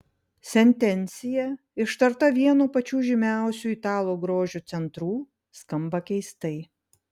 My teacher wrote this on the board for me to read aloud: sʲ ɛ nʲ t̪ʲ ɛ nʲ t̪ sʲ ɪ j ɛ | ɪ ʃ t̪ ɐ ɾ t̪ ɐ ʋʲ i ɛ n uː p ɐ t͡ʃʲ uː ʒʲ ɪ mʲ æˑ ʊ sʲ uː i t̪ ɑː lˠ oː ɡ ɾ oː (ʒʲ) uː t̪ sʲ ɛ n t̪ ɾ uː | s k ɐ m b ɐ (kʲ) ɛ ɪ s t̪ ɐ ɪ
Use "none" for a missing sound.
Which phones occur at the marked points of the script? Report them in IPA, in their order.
ʒʲ, kʲ

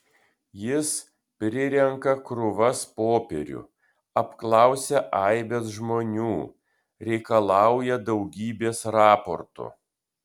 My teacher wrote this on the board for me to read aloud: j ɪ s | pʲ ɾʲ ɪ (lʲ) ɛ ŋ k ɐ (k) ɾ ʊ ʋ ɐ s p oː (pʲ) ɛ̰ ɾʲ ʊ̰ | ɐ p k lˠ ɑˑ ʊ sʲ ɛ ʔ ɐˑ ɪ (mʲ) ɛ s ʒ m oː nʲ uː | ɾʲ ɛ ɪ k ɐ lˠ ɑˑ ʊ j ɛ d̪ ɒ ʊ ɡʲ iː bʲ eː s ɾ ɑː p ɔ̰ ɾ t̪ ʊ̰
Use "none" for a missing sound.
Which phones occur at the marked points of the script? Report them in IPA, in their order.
ɾʲ, k, pʲ, bʲ

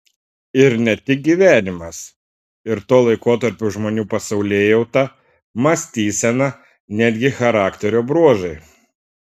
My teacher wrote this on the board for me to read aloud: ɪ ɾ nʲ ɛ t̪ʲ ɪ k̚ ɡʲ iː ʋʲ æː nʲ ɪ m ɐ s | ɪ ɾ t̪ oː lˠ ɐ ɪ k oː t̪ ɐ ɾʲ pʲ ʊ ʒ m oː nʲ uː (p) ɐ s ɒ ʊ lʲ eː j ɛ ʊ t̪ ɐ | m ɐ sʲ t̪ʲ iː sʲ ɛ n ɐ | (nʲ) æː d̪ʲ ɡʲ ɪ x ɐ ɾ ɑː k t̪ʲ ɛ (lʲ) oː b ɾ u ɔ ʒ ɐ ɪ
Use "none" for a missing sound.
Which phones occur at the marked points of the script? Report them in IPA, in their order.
p, nʲ, ɾʲ

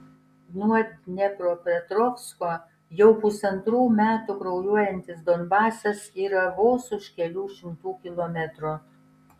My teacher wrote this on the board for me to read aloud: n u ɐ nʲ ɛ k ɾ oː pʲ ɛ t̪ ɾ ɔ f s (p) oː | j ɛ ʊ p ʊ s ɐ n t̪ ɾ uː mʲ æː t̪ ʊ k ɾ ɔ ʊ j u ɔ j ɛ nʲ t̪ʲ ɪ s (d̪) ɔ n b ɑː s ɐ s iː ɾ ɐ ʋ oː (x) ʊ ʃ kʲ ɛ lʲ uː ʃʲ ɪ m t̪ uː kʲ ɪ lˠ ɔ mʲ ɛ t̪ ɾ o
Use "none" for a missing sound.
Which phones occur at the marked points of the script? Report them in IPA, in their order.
k, d̪, s

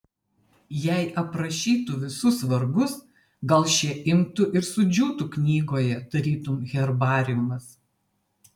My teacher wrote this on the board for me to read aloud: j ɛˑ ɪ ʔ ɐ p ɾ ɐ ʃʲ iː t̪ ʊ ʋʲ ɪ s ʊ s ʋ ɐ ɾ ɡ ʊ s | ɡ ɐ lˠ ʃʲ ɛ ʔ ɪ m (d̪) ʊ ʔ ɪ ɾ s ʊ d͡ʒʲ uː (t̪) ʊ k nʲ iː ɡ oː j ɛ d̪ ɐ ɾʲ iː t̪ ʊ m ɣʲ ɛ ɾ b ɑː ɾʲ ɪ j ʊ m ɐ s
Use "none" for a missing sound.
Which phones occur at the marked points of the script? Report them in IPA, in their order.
t̪, t̪

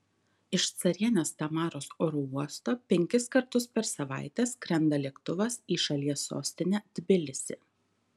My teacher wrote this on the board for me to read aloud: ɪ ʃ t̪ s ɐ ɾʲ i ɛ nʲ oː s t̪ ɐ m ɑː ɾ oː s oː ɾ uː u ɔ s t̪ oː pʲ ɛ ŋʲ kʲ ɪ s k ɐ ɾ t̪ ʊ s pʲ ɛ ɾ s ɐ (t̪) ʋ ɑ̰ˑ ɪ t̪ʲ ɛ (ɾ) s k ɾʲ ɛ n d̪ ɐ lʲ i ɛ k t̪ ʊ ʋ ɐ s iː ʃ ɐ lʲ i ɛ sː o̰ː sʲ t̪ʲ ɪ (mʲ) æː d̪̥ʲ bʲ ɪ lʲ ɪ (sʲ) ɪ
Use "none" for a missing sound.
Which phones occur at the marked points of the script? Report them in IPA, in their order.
none, none, nʲ, sʲ

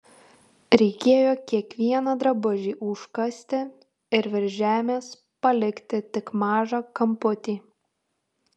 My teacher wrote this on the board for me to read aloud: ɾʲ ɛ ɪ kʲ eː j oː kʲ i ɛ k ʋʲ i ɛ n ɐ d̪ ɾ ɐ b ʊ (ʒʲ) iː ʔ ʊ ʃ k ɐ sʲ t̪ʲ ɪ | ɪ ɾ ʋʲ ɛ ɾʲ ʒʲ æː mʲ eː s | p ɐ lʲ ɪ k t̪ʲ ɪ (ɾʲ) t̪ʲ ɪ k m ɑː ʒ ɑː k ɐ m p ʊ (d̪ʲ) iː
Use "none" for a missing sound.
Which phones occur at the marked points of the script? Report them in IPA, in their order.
ʒʲ, none, t̪ʲ

